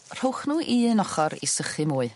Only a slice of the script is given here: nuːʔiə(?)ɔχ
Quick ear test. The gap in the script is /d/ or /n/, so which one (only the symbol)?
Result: n